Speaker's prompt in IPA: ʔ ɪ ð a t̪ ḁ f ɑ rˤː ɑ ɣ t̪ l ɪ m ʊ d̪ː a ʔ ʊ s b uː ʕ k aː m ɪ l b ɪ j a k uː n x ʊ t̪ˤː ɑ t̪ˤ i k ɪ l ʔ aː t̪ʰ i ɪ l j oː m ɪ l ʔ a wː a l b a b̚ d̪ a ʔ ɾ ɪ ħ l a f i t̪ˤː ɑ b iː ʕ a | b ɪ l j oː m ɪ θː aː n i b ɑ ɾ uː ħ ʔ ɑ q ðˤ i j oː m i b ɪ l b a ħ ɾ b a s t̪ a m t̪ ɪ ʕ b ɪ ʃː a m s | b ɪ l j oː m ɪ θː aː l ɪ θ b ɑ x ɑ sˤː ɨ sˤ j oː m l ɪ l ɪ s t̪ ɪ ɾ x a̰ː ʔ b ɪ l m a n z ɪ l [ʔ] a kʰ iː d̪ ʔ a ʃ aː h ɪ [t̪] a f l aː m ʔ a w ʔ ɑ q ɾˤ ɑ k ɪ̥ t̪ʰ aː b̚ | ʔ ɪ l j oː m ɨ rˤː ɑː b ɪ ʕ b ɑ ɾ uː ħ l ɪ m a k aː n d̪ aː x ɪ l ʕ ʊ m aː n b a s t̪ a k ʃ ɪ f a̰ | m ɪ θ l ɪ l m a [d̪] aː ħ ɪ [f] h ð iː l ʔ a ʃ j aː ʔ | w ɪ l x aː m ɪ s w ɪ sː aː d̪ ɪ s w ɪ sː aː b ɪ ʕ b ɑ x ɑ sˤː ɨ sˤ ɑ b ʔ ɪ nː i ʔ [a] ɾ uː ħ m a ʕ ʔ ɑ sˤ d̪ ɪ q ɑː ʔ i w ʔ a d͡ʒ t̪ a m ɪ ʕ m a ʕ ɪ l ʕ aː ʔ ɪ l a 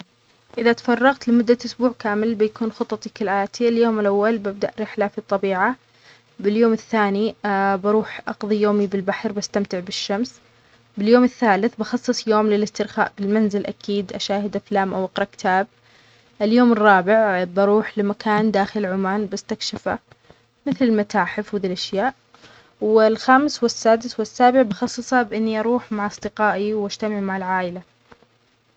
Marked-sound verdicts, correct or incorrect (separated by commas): correct, incorrect, incorrect, correct, incorrect